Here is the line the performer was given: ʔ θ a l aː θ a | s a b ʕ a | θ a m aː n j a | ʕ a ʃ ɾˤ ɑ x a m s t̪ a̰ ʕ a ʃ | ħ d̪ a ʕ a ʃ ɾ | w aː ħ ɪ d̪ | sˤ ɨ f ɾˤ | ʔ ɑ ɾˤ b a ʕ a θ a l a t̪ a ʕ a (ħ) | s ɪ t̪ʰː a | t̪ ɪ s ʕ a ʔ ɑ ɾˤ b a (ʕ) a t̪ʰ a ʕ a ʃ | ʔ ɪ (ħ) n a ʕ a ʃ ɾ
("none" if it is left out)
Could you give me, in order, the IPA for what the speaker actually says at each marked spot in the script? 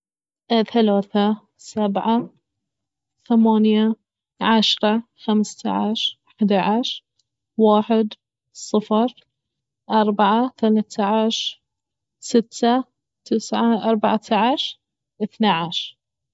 ʃ, ʕ, θ

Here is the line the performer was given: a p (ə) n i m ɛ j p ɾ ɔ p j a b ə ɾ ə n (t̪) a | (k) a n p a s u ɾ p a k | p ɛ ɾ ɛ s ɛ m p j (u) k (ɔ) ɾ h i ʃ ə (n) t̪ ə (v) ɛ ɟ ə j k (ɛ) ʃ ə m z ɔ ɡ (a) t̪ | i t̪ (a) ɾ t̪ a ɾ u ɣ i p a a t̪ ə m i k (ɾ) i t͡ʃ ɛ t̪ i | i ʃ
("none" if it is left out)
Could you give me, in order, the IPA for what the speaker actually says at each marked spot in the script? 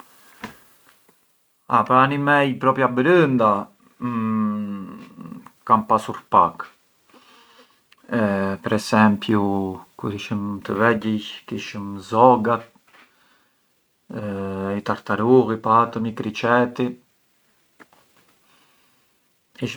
a, d̪, k, u, u, m, v, i, a, a, ɾ

